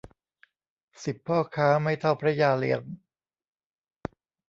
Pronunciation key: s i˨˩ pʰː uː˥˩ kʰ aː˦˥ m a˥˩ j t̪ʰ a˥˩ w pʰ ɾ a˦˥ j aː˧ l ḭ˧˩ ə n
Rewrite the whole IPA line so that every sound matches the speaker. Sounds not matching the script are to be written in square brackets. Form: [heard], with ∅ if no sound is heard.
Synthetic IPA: s i˨˩ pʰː [ɔː˥˩] kʰ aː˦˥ m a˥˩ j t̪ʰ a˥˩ w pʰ ɾ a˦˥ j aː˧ l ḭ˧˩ ə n